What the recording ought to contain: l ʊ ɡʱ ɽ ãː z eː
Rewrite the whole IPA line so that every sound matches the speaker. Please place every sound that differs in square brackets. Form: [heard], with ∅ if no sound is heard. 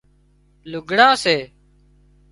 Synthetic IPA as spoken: l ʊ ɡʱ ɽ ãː [s] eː